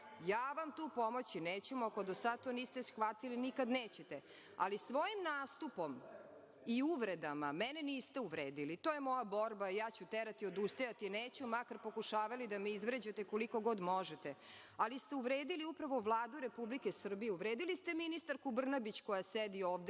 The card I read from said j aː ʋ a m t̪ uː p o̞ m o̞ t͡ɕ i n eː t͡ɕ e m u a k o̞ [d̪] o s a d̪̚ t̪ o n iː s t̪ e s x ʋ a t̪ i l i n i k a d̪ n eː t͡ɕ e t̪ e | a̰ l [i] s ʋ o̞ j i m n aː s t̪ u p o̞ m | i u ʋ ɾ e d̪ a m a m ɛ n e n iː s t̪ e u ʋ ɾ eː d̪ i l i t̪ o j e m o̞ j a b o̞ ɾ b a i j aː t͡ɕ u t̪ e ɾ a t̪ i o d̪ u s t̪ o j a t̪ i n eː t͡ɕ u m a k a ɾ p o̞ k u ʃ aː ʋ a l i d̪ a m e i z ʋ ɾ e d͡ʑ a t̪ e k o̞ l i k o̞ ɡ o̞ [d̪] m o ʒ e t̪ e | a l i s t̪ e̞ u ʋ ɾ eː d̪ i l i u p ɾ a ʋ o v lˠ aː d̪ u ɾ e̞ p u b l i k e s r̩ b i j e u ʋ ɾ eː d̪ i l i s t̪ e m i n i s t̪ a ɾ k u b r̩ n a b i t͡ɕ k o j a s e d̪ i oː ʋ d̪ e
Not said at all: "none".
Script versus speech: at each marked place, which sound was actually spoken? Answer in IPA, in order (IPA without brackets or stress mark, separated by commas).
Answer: d̪, i, d̪